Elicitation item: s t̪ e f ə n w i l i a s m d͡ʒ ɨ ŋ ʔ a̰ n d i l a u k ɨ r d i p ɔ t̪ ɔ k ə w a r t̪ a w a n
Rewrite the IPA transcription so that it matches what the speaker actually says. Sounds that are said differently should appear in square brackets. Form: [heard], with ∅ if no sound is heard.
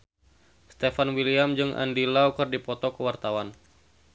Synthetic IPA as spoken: s t̪ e f [a] n w i l i a [∅] m d͡ʒ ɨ ŋ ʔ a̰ n d i l a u k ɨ r d i p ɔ t̪ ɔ k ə w a r t̪ a w a n